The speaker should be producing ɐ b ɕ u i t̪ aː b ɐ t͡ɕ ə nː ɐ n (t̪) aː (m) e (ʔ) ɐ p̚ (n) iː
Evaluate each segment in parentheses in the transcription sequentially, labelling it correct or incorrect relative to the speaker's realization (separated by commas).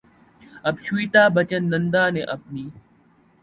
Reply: incorrect, incorrect, correct, correct